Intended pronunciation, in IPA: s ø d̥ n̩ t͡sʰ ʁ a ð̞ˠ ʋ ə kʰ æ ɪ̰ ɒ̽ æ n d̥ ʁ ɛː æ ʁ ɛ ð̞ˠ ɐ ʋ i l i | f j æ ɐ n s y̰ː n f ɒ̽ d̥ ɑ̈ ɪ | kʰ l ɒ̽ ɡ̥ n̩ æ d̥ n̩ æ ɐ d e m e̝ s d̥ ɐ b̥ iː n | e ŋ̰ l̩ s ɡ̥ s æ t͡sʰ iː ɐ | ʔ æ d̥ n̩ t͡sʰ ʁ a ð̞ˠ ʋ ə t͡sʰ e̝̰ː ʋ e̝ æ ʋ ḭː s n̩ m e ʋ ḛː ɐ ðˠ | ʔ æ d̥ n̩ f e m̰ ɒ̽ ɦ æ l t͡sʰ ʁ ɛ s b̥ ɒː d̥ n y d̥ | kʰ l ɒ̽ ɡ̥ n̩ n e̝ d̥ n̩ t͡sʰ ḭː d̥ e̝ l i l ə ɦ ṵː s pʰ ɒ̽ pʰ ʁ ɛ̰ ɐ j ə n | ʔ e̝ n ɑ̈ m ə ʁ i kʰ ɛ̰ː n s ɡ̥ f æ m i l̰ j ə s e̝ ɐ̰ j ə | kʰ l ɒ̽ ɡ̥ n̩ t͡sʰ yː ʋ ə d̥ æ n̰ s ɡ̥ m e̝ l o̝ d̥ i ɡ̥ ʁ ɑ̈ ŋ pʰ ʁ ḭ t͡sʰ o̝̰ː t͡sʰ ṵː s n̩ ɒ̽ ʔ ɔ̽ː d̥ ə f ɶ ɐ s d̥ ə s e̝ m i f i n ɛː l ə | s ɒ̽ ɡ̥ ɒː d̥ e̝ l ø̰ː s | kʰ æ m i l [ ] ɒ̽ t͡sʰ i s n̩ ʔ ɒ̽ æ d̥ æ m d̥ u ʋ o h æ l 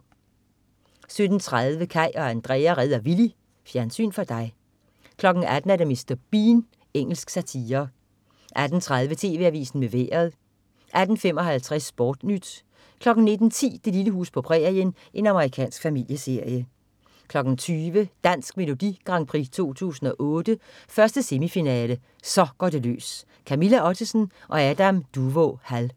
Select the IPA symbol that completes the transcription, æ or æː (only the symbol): æ